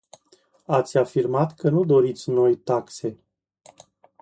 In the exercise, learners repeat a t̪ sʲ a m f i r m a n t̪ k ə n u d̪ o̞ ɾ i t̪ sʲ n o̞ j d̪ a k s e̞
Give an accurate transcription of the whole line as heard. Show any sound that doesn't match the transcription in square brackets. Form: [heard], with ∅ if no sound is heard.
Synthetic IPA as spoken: a t̪ sʲ a [∅] f i r m a [∅] t̪ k ə n u d̪ o̞ ɾ i t̪ sʲ n o̞ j [t̪] a k s e̞